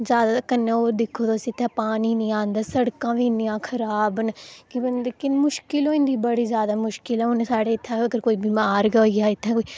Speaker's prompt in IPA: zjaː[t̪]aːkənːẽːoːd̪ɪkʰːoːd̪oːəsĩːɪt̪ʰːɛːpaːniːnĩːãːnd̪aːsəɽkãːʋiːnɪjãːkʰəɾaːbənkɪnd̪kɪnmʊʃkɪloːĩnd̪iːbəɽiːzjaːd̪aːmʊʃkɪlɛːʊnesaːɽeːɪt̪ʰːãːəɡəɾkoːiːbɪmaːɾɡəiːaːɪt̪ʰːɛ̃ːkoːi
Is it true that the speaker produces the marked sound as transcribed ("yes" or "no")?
no